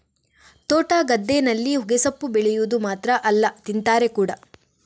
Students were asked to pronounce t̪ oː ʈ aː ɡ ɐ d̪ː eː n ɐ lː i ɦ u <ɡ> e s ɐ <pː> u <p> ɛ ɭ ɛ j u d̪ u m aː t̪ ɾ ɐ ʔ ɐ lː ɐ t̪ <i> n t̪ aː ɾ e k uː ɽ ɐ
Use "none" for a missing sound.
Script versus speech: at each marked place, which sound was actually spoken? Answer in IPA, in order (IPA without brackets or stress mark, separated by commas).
ɡ, pː, b, i